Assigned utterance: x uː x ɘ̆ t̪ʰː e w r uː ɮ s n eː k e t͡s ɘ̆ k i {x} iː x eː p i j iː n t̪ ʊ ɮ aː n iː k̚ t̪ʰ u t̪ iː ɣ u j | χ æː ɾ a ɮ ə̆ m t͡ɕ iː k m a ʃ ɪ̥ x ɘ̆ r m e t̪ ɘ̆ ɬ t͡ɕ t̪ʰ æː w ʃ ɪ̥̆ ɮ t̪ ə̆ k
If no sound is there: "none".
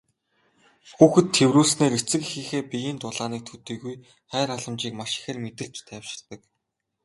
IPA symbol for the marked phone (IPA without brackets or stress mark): x